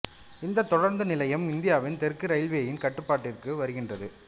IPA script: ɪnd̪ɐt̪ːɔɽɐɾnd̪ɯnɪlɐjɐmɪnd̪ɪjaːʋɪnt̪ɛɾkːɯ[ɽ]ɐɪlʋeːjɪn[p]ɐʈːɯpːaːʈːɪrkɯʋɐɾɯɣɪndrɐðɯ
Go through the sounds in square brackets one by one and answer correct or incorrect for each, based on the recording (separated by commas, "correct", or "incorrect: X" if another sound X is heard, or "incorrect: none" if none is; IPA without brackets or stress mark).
incorrect: ɾ, incorrect: k